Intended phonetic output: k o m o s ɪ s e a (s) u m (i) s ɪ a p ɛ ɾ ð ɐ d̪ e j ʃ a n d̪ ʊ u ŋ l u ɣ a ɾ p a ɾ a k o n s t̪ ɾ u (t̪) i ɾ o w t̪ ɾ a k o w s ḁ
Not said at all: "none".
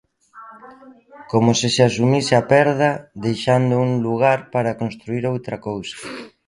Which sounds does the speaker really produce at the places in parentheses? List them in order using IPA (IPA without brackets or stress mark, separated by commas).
s, i, none